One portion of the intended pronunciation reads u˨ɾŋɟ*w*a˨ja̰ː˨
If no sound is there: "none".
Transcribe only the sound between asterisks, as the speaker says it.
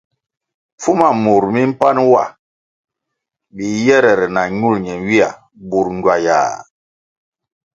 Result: w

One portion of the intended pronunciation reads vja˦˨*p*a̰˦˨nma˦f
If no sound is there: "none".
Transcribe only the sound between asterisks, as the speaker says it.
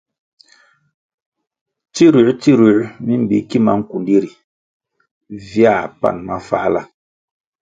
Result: p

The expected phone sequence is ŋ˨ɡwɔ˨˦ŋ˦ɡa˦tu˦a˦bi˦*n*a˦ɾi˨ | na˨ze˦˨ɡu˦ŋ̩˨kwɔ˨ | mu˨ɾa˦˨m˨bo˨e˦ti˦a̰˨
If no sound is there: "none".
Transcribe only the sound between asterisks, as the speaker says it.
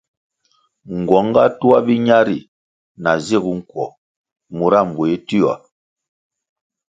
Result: ɲ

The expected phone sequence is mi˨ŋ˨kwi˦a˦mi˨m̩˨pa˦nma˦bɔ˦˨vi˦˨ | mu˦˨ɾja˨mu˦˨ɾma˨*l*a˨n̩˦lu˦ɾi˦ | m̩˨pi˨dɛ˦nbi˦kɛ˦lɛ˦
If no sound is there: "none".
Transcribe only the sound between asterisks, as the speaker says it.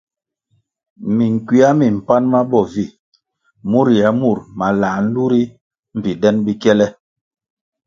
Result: l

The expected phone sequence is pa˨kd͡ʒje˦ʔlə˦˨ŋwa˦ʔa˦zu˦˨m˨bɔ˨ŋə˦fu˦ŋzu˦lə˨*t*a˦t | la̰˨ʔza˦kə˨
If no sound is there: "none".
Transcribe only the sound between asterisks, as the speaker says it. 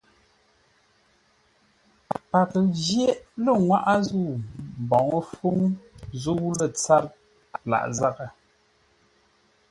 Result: t͡s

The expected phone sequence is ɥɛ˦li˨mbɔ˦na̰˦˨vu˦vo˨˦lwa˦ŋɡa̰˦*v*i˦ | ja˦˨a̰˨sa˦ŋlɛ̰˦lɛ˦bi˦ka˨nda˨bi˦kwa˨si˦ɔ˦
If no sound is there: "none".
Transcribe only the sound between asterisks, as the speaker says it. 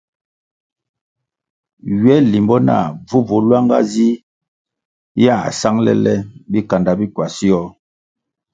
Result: z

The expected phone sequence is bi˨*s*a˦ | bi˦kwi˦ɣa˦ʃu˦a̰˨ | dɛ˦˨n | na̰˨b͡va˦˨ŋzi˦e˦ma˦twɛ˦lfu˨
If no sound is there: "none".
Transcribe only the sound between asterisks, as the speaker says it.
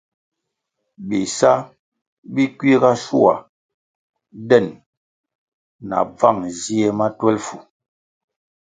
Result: s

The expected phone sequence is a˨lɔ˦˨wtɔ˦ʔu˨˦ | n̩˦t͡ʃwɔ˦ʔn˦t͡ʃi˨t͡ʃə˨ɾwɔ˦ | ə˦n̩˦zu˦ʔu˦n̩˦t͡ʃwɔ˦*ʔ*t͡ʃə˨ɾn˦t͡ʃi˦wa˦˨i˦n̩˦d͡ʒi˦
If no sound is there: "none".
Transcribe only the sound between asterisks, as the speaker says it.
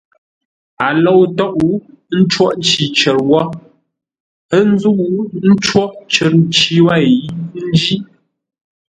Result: ʔ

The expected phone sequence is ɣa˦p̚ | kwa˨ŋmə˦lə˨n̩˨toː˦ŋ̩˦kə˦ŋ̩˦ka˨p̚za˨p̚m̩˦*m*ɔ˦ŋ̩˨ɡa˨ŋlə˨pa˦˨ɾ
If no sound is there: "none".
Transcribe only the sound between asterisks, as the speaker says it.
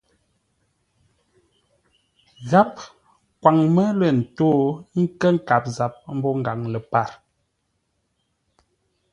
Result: b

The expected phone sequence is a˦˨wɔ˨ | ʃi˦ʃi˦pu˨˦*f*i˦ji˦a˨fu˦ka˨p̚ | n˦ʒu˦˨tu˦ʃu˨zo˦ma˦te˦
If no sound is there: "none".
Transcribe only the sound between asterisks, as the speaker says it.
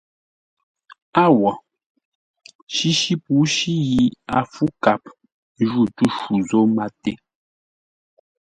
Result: ʃ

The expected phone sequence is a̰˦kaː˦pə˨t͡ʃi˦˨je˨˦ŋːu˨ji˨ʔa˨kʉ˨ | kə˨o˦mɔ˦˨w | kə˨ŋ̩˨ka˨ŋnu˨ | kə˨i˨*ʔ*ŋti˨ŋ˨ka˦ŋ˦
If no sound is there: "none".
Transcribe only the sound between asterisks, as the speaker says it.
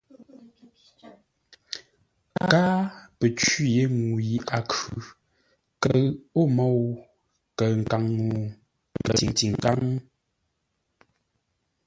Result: none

